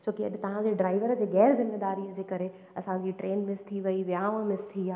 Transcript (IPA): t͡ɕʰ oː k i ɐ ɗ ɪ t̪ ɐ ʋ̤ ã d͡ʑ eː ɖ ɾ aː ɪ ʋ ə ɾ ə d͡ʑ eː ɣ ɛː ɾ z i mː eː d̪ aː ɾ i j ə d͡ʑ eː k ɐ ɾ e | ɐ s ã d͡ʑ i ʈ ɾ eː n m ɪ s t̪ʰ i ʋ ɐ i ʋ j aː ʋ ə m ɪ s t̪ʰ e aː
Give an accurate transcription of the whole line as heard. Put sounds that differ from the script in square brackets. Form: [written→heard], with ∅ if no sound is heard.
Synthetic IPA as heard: t͡ɕʰ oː k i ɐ ɗ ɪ t̪ ɐ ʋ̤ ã d͡ʑ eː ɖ ɾ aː ɪ ʋ ə ɾ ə d͡ʑ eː ɣ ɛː ɾ z [i→ɪ] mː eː d̪ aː ɾ i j ə d͡ʑ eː k ɐ ɾ e | ɐ s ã d͡ʑ i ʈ ɾ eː n m ɪ s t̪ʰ i ʋ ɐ i ʋ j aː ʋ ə m ɪ s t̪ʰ [e→i] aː